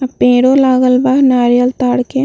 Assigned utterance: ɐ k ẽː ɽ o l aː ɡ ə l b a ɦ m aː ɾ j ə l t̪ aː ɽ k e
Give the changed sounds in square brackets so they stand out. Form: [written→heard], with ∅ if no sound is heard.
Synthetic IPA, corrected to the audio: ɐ [k→p] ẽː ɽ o l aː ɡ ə l b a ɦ [m→n] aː ɾ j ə l t̪ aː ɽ k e